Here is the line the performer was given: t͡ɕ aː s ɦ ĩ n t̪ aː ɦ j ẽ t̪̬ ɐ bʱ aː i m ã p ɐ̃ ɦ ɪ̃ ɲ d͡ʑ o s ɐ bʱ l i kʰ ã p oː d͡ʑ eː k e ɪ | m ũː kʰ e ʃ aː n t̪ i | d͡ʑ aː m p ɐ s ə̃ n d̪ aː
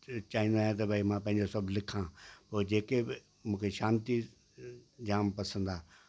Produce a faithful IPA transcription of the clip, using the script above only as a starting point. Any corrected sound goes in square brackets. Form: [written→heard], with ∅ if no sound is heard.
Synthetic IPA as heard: t͡ɕ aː [s→∅] ɦ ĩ n [t̪→d̪] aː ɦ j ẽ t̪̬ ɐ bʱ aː i m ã p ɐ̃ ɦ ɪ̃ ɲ d͡ʑ o s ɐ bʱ l [i→ɪ] kʰ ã p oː d͡ʑ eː k e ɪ | m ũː kʰ e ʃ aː n t̪ i | d͡ʑ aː m p ɐ s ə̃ n d̪ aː